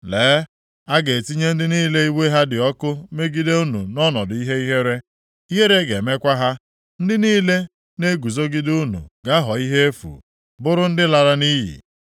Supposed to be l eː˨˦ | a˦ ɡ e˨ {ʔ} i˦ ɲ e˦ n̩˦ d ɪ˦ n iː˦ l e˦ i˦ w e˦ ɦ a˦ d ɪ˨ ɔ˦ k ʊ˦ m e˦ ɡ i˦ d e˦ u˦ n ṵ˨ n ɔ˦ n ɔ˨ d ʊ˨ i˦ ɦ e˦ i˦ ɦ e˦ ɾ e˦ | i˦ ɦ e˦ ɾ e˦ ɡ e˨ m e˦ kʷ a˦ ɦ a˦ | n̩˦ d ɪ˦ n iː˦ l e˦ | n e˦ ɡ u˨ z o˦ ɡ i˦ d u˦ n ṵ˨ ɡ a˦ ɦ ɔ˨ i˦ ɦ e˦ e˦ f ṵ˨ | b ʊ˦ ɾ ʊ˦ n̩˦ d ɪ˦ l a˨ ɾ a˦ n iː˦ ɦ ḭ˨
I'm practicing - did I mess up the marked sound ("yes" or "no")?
yes